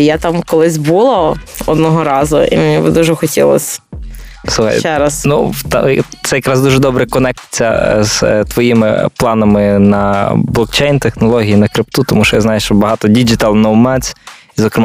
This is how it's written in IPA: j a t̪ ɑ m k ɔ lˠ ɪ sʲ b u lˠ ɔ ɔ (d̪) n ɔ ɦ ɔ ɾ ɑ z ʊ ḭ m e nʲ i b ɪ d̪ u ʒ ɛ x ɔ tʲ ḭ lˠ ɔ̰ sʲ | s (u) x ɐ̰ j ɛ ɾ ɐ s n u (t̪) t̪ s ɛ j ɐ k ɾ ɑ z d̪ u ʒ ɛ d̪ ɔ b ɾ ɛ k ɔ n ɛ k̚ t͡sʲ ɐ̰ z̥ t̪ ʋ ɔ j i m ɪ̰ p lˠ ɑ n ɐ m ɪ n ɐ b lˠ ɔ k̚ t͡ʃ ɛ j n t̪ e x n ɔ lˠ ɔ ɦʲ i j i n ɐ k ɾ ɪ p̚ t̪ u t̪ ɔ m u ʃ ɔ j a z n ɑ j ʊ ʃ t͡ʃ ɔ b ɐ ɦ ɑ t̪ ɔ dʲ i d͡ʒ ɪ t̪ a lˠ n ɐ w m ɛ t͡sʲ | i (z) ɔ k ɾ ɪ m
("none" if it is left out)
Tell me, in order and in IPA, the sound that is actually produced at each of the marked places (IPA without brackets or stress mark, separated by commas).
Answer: d̪, u, t̪, z